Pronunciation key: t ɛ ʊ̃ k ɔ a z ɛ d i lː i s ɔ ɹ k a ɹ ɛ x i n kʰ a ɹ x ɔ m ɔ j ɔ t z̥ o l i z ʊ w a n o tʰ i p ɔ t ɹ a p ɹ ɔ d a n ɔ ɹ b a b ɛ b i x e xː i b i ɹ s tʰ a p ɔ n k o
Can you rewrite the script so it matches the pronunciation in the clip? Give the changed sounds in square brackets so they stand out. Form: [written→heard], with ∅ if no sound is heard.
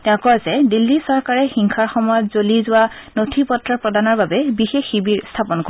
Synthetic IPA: t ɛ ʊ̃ k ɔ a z ɛ d i lː i s ɔ ɹ k a ɹ ɛ x i [n→ŋ] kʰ a ɹ x ɔ m ɔ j ɔ t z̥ o l i z ʊ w a n o tʰ i p ɔ t ɹ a p ɹ ɔ d a n ɔ ɹ b a b ɛ b i x e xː i b i ɹ s tʰ a p ɔ n k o